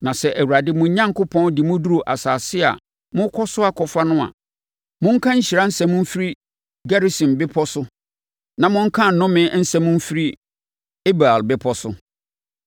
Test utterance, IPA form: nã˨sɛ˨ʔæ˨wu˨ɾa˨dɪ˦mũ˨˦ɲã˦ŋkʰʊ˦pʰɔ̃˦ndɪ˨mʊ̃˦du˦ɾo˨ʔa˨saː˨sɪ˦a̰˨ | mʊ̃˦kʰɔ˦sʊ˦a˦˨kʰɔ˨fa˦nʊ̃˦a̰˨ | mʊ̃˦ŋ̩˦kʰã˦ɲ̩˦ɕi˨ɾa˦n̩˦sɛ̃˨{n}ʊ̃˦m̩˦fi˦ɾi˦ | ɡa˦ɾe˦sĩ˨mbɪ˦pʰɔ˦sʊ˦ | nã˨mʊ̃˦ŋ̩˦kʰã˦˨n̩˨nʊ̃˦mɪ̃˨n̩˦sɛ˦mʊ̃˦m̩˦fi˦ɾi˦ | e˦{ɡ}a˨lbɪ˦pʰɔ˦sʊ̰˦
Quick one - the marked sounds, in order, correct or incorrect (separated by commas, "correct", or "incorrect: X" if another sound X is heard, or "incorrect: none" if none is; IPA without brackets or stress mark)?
incorrect: m, incorrect: b